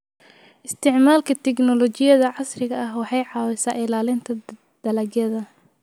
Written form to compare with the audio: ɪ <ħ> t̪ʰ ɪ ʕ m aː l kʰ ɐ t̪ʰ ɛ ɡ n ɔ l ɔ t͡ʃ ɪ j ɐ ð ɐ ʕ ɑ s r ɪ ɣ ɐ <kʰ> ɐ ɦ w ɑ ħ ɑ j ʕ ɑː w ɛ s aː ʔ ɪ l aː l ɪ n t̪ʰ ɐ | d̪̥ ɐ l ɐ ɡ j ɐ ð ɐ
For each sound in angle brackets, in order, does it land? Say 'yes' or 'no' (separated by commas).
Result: no, no